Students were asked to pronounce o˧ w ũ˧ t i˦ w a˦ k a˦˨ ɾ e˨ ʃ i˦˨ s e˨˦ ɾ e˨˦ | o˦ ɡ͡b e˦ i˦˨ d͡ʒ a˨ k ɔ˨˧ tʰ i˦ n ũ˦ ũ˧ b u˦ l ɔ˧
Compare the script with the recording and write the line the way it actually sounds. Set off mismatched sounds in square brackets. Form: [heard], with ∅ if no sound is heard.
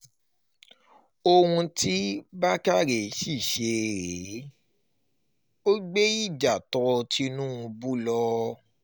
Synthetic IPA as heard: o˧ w ũ˧ t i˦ [b] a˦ k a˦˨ ɾ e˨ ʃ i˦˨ [ʃ] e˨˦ ɾ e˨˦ | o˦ ɡ͡b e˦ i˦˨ d͡ʒ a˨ [t] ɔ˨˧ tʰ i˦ n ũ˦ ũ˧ b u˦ l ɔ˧